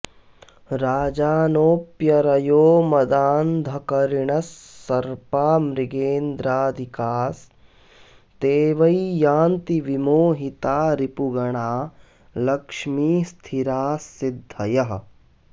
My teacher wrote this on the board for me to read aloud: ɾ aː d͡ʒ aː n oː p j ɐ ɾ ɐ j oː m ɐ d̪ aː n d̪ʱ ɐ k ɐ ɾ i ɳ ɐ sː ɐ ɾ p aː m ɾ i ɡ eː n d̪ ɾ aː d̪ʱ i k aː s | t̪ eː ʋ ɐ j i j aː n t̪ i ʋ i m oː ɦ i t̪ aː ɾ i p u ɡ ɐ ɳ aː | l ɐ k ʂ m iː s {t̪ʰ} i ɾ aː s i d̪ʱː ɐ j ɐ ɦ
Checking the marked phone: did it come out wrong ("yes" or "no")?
no